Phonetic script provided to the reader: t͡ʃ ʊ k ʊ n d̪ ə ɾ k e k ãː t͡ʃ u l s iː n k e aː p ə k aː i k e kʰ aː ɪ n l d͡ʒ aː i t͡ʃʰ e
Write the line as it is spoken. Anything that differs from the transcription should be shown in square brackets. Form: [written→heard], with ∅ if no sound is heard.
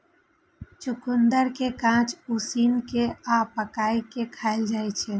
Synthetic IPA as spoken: t͡ʃ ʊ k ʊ n d̪ ə ɾ k e k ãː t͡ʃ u [l→∅] s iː n k e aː p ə k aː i k e kʰ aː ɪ [n→∅] l d͡ʒ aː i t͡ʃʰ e